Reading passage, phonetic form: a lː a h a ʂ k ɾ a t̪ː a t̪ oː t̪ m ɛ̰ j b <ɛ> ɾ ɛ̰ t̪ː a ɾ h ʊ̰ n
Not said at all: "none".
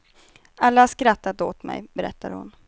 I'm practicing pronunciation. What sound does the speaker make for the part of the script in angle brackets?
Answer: ɛ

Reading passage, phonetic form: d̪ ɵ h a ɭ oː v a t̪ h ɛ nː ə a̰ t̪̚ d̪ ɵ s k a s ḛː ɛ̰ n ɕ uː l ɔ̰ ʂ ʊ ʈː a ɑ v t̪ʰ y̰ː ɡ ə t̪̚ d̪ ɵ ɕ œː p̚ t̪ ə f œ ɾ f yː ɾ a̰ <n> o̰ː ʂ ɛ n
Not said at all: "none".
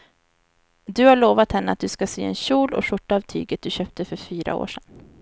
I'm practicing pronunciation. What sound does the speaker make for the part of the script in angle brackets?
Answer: none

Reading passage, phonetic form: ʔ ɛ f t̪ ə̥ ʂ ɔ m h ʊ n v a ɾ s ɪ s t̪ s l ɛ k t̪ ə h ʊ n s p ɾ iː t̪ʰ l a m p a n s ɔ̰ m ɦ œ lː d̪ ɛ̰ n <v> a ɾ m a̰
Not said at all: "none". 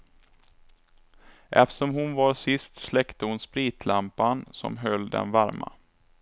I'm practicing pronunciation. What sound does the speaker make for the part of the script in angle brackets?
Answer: v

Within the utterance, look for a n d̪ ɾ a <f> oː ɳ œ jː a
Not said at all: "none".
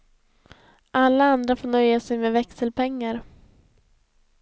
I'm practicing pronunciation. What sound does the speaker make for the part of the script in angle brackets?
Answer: f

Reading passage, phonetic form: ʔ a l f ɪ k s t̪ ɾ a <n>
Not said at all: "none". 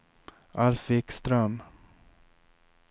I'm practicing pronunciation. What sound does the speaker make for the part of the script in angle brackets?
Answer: m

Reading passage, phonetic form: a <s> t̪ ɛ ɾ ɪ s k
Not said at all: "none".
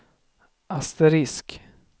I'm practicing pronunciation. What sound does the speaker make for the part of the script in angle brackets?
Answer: s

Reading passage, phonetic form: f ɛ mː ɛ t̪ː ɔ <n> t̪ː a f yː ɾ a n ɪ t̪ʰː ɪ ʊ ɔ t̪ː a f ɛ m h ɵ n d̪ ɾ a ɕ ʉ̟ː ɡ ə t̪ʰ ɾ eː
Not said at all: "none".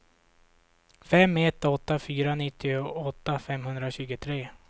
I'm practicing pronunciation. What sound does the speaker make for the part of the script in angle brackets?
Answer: none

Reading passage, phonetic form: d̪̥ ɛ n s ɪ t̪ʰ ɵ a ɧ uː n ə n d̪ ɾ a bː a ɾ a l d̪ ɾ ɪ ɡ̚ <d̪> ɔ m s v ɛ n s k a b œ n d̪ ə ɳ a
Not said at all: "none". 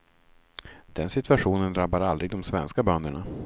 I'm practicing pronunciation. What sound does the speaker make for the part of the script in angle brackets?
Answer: d̪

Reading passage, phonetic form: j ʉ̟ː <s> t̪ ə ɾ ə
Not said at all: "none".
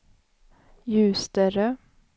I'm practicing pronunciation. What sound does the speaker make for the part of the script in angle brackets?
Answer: s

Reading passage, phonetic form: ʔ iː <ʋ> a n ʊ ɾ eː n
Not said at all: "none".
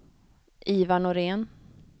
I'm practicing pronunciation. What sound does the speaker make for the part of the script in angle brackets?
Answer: v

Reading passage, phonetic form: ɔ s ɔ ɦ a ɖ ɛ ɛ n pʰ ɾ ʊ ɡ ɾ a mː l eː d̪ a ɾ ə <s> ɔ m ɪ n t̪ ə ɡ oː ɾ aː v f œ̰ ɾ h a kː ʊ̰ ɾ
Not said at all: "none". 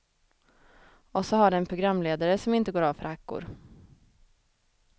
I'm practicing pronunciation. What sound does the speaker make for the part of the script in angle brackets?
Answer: s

